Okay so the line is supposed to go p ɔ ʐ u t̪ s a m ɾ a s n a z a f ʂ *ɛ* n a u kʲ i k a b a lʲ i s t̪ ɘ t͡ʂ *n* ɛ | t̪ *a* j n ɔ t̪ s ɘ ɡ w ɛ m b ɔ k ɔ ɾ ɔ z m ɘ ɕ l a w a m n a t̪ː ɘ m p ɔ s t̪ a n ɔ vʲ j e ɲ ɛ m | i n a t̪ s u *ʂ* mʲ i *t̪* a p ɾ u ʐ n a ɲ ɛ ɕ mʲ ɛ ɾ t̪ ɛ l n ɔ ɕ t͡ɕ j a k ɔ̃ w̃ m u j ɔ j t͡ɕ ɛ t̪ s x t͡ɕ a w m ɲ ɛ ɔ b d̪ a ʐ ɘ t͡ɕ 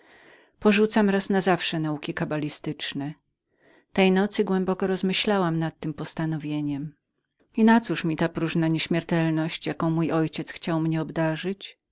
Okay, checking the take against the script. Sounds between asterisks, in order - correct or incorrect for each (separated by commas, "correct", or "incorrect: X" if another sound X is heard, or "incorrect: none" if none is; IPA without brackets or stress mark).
correct, correct, incorrect: ɛ, correct, correct